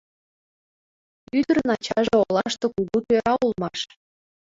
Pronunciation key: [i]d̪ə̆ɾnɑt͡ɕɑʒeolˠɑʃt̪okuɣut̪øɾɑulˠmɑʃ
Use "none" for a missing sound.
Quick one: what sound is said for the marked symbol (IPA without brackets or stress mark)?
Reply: y